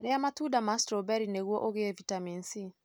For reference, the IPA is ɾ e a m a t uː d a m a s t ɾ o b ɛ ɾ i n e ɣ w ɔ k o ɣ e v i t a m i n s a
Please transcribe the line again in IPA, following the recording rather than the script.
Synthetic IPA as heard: ɾ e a m a t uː d a m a s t ɾ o b ɛ ɾ i n e ɣ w ɔ ʔ o ɣ e v i t a m i n s i